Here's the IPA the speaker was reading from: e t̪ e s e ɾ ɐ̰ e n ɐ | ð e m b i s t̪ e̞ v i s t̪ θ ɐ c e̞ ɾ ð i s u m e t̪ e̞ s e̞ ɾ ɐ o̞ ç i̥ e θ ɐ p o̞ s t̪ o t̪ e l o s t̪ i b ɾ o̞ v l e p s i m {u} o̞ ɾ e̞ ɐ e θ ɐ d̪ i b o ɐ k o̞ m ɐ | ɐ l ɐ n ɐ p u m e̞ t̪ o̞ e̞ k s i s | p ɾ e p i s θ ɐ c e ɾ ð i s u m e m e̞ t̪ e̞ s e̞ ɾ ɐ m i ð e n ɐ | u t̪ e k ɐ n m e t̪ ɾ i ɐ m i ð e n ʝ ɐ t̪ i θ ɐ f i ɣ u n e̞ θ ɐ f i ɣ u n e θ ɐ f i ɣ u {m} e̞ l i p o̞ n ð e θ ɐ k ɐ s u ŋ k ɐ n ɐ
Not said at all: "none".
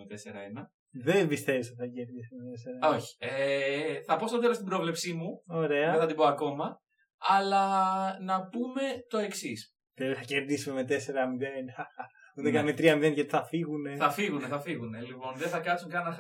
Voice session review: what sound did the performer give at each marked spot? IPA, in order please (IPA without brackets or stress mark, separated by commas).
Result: u, n